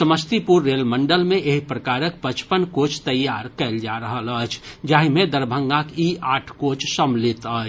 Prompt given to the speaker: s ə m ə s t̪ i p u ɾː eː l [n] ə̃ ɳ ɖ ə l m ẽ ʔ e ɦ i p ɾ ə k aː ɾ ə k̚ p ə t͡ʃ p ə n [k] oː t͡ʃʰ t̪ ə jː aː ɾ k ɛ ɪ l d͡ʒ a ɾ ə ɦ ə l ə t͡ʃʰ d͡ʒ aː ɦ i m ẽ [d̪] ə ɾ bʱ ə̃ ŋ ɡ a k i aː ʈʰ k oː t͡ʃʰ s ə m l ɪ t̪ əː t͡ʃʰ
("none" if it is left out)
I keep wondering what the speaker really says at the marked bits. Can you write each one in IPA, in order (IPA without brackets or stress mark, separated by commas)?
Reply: m, k, d̪